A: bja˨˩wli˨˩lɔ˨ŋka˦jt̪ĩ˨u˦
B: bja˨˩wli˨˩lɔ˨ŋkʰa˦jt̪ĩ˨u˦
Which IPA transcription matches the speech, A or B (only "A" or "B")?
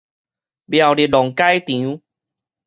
A